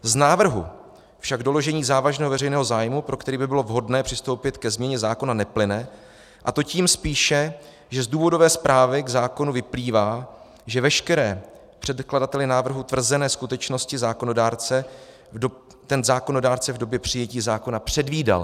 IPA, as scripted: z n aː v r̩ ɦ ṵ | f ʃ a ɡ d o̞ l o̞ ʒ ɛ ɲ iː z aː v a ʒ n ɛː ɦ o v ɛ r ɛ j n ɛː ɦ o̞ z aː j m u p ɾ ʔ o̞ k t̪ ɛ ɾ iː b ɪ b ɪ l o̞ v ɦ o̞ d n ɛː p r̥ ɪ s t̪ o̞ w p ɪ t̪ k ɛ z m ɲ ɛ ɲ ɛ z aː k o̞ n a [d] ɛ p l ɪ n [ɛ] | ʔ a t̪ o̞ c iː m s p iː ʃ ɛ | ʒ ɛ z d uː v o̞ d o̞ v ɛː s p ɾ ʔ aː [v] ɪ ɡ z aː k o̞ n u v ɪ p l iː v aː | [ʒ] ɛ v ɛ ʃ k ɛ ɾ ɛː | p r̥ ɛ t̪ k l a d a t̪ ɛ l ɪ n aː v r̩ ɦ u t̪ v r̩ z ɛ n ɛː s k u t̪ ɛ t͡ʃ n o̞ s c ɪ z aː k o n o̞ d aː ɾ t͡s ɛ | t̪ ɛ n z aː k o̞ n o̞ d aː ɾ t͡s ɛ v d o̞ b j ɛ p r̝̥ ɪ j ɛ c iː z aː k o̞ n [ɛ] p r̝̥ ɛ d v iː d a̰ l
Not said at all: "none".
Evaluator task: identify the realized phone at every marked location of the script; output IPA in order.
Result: n, ɛ, v, ʒ, a

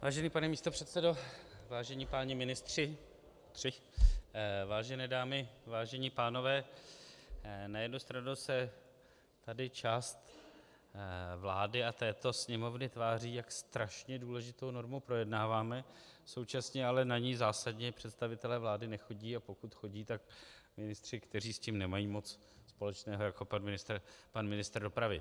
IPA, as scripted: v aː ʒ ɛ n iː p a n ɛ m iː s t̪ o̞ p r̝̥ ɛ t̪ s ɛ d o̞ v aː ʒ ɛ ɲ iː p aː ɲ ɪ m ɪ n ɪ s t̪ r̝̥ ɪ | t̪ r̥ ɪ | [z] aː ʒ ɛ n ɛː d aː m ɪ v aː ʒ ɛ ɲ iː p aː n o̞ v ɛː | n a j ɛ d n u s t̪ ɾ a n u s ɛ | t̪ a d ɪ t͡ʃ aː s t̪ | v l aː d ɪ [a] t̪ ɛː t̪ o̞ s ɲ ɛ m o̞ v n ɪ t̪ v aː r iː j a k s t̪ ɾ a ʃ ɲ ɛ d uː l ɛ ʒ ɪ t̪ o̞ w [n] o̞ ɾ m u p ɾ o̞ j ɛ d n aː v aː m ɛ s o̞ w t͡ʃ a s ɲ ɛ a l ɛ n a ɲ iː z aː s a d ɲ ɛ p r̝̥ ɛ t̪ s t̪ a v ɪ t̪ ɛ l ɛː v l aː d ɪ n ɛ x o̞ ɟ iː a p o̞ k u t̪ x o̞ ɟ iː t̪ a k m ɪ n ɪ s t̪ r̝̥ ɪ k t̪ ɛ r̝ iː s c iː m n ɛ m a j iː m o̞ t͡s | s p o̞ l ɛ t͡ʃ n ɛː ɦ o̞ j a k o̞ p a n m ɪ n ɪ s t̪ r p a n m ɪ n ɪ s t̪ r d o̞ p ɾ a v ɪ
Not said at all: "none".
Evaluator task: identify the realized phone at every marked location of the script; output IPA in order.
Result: v, a, n

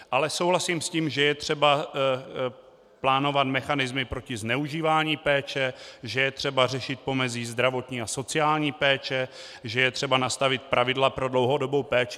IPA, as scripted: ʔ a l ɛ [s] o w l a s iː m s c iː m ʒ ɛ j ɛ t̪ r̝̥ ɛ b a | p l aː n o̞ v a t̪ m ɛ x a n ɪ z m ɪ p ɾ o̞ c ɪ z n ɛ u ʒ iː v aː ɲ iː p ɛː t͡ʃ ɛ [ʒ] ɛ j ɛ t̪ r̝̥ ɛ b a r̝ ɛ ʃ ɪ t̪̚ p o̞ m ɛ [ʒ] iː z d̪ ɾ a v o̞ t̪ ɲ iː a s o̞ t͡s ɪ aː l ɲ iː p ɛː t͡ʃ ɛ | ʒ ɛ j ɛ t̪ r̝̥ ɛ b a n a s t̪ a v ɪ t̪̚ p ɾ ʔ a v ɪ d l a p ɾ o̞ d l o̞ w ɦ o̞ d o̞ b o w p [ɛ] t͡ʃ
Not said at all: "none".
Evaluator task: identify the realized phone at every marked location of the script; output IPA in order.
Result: s, ʒ, z, ɛː

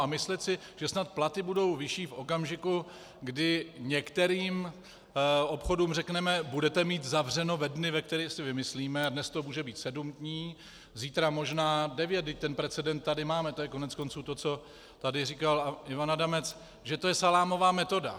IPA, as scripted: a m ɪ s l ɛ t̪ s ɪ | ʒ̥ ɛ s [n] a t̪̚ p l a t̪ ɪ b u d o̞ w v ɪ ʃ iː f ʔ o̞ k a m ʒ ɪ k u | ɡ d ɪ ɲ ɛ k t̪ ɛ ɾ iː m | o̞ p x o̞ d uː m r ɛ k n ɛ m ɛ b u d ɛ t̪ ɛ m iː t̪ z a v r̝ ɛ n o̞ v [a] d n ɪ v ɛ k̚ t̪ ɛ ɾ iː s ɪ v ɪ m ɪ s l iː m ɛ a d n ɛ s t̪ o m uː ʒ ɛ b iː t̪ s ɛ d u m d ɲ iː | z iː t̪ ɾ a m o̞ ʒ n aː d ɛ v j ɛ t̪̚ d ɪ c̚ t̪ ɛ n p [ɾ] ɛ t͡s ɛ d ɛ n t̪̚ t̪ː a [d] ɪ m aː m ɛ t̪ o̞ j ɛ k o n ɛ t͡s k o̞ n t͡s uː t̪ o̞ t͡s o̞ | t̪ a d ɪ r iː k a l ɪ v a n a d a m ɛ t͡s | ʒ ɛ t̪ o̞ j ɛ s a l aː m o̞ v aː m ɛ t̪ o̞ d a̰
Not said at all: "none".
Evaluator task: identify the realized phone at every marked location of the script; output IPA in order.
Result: n, ɛ, ɾ, d

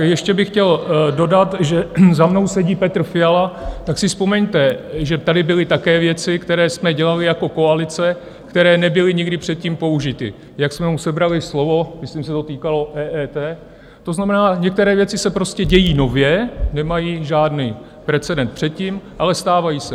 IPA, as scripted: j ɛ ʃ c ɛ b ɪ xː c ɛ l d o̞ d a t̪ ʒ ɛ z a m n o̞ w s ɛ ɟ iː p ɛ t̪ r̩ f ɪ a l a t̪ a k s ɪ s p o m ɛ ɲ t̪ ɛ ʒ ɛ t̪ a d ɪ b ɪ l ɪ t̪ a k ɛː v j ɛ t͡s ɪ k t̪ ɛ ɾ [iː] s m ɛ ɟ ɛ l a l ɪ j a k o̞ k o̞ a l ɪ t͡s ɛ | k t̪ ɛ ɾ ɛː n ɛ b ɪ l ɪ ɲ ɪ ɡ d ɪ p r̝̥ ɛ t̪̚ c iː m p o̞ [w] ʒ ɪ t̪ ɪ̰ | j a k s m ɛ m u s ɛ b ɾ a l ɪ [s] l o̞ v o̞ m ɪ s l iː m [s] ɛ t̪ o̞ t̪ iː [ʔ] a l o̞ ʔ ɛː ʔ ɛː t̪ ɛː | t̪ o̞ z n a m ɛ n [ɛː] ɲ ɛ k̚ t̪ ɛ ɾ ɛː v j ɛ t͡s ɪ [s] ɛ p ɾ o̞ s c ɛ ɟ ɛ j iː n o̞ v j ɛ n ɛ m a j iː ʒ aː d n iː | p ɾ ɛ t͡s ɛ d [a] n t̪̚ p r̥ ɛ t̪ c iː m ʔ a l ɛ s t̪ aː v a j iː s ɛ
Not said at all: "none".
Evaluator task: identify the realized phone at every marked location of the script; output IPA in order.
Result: ɛː, u, s, s, k, aː, s, ɛ

